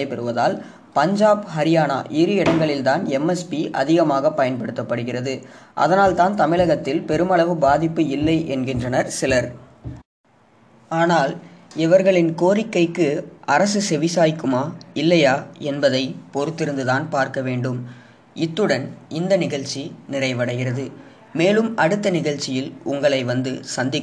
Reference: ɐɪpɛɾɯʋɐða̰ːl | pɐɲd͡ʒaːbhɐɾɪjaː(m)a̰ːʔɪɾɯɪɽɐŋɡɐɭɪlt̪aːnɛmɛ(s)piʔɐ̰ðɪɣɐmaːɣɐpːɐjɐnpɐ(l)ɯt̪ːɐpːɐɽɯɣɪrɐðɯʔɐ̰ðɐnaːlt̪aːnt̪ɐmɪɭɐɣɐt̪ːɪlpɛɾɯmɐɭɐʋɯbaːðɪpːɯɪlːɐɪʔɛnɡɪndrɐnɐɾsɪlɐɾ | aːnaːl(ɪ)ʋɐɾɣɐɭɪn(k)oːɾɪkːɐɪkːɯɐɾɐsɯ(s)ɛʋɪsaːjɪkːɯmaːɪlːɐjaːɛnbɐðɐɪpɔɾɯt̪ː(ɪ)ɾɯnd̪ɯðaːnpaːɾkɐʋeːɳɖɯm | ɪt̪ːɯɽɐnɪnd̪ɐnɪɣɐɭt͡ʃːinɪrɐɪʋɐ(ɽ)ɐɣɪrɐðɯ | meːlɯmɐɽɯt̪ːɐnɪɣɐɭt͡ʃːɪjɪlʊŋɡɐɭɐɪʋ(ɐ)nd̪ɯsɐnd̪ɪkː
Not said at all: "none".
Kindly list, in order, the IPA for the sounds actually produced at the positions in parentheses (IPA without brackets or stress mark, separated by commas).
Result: n, s, ɽ, ɪ, k, s, ɪ, ɽ, ɐ